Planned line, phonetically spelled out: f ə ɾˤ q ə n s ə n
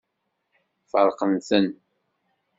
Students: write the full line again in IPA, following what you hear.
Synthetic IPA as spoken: f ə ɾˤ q ə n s ə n